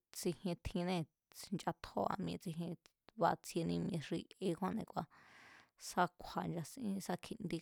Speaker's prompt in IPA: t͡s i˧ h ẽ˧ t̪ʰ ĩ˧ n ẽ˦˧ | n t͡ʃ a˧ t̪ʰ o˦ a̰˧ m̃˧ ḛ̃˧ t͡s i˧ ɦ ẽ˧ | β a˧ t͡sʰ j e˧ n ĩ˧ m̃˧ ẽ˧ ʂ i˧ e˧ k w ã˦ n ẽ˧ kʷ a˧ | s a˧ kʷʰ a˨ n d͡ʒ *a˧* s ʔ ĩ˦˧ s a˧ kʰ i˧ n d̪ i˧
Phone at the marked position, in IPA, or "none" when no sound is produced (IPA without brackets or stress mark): a˧